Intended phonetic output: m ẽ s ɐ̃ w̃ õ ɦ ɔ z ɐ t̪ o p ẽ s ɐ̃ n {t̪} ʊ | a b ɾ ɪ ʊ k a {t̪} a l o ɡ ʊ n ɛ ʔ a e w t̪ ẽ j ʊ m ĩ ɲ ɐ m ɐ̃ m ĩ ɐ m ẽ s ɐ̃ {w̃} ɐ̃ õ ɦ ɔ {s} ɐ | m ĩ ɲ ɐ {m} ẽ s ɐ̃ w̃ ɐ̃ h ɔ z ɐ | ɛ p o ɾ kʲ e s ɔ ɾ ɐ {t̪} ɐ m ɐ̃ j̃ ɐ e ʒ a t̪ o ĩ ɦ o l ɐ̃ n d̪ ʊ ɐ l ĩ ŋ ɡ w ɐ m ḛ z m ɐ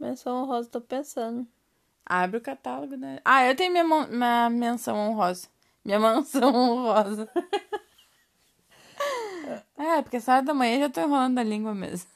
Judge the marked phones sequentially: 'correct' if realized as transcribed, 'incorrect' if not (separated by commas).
incorrect, correct, correct, incorrect, correct, incorrect